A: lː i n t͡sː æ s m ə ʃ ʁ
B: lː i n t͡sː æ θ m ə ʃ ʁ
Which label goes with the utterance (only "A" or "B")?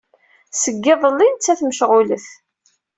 B